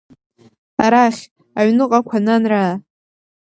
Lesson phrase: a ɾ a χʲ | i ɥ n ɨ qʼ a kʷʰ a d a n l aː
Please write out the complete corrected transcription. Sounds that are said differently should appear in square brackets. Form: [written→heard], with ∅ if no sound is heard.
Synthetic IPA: a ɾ a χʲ | [i→a] ɥ n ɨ qʼ a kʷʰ a [d→n] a n [l→r] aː